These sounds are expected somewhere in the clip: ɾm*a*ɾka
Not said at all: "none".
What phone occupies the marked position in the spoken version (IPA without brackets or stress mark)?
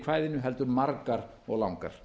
a